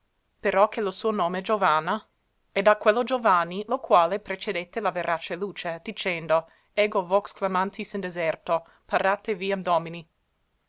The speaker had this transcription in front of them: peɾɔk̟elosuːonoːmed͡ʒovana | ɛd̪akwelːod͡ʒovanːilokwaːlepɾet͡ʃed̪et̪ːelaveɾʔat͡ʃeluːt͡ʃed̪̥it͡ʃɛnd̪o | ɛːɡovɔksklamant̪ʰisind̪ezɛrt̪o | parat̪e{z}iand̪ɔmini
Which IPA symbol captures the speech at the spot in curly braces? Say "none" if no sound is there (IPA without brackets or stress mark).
v